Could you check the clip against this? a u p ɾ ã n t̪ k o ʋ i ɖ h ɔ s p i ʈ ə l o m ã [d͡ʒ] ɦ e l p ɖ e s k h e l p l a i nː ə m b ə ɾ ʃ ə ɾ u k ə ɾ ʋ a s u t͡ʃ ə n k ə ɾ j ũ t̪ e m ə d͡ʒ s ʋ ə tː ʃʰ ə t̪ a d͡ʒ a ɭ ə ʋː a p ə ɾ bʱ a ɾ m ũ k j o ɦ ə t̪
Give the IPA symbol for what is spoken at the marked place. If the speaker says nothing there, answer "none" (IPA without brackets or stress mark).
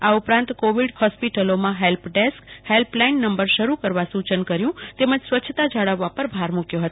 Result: none